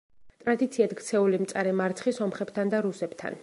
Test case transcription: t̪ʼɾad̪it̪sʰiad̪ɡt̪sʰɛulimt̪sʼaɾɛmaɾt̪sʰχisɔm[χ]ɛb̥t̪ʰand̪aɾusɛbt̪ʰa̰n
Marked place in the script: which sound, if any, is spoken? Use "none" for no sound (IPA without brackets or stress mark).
χ